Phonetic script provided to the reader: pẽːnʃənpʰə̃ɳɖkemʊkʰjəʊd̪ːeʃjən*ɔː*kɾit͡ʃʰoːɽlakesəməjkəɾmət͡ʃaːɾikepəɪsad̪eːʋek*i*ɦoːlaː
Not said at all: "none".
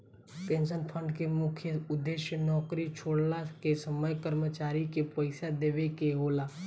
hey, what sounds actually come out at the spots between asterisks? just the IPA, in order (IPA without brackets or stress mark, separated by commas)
ɔː, e